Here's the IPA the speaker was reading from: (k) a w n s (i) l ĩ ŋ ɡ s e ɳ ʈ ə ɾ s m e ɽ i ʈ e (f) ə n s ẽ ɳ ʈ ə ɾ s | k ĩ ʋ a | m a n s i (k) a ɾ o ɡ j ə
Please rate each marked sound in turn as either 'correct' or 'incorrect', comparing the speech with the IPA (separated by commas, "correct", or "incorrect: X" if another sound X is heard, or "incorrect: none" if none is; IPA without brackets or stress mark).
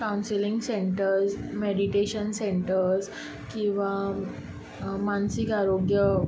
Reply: correct, correct, incorrect: ɕ, correct